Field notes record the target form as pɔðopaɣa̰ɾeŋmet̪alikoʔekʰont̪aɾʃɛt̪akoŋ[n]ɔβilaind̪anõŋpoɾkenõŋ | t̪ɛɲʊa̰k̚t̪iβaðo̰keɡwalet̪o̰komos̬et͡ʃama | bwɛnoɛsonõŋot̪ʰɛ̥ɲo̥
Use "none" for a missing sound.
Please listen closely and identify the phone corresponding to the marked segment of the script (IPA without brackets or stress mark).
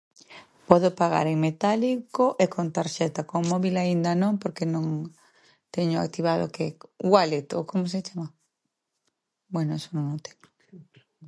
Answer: m